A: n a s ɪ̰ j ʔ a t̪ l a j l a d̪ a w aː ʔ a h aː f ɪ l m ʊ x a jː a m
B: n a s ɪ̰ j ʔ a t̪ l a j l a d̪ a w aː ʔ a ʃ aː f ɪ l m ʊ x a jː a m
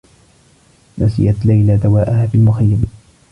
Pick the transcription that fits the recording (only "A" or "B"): A